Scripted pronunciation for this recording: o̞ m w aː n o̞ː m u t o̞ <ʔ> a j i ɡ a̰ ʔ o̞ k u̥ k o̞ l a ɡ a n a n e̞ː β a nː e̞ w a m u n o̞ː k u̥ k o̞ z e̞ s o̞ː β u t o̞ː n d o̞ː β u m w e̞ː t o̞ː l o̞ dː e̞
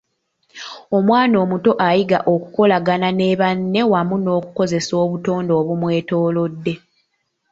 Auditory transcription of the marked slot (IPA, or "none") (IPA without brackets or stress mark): ʔ